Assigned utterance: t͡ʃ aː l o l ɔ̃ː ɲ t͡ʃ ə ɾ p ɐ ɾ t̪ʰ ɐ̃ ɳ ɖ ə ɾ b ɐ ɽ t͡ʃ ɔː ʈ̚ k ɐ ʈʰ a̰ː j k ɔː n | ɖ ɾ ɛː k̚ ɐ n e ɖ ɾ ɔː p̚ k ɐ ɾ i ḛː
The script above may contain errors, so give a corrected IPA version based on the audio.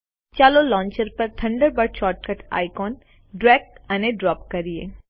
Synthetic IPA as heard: t͡ʃ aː l o l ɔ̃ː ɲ t͡ʃ ə ɾ p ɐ ɾ t̪ʰ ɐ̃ ɳ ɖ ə ɾ b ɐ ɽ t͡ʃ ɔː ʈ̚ k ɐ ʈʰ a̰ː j k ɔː n | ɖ ɾ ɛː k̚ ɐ n e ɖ ɾ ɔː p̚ k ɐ ɾ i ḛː